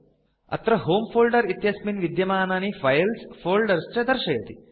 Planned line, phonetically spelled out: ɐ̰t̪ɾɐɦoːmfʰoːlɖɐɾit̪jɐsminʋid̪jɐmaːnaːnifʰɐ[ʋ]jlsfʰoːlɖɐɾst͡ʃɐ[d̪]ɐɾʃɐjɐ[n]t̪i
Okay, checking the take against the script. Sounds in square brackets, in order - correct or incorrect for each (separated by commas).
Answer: incorrect, correct, incorrect